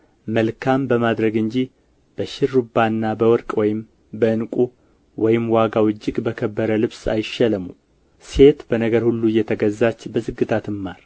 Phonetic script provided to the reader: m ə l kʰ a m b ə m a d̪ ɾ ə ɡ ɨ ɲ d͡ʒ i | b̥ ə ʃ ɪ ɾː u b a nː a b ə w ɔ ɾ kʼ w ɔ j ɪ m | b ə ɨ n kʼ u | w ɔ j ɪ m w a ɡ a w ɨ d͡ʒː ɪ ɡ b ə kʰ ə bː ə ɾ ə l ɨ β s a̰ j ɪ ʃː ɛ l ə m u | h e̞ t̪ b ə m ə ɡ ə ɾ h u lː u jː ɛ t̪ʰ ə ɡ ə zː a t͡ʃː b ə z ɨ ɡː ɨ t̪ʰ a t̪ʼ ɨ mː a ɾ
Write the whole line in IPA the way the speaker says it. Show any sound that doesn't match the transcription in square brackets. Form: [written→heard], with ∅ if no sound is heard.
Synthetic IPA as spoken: m ə l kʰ a m b ə m a d̪ ɾ ə ɡ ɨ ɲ d͡ʒ i | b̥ ə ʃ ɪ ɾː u b a nː a b ə w ɔ ɾ kʼ w ɔ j ɪ m | b ə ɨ n kʼ u | w ɔ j ɪ m w a ɡ a w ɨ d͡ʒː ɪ ɡ b ə kʰ ə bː ə ɾ ə l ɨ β s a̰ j ɪ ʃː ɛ l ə m u | [h→s] e̞ t̪ b ə [m→n] ə ɡ ə ɾ h u lː u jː ɛ t̪ʰ ə ɡ ə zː a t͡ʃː b ə z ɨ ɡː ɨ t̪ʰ a [t̪ʼ→t̪] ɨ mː a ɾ